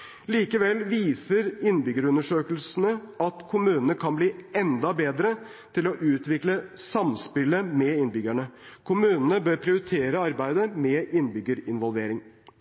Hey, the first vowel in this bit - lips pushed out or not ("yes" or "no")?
no